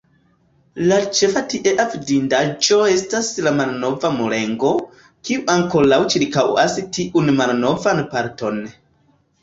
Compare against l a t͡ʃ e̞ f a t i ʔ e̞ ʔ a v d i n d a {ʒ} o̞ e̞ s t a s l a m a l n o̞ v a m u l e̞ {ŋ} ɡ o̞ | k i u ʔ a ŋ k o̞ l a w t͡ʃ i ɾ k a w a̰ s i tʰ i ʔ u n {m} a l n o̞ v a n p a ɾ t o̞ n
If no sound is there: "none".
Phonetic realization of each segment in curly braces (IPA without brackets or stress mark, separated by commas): d͡ʒ, ŋ, m